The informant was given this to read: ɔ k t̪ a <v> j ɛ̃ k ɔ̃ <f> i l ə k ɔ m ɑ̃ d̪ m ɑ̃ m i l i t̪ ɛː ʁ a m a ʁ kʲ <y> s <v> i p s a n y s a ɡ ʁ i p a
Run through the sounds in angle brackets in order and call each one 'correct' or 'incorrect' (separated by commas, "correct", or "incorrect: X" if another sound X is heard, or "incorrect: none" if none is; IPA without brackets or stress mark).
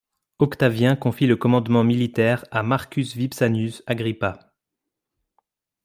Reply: correct, correct, correct, correct